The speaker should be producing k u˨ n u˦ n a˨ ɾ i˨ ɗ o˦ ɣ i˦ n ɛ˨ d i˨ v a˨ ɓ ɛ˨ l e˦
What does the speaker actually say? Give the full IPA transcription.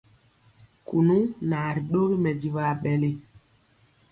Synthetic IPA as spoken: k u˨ n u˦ n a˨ ɾ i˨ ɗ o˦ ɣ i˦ m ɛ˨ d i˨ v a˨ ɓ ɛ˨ l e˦